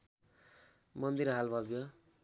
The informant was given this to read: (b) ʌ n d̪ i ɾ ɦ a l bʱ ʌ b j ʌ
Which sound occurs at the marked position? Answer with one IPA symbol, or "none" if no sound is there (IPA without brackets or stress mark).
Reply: m